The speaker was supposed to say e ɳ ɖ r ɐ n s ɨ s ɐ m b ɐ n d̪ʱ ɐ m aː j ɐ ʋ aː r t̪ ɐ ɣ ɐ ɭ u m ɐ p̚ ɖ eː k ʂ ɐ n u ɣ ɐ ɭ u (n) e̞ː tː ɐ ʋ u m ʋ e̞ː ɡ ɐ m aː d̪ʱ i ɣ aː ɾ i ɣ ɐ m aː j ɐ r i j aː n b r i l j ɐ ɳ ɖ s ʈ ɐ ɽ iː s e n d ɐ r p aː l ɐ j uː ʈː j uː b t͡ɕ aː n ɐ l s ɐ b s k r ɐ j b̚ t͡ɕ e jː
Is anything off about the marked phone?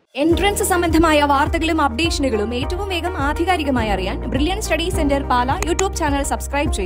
yes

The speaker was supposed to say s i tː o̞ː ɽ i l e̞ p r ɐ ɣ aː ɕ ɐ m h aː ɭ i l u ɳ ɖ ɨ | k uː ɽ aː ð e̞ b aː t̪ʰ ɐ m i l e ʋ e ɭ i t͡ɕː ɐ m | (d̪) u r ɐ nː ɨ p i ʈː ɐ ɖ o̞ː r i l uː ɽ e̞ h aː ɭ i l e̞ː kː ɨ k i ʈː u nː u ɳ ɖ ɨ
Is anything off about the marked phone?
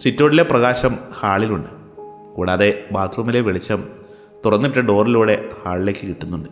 yes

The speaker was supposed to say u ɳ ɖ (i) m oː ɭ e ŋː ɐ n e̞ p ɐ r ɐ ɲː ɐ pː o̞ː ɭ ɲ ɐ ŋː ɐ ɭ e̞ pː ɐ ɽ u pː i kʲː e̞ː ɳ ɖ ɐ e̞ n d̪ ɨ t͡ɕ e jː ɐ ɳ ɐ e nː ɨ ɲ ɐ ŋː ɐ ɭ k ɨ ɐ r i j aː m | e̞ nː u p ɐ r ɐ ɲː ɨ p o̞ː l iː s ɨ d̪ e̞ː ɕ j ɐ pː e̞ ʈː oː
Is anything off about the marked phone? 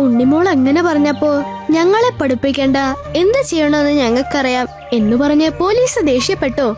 no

